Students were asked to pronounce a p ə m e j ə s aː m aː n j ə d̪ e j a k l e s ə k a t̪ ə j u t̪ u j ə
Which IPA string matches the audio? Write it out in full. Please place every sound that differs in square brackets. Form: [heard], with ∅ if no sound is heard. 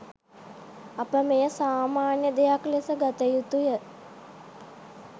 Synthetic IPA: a p ə m e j ə s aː m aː n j ə d̪ e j a k l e s ə [ɡ] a t̪ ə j u t̪ u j ə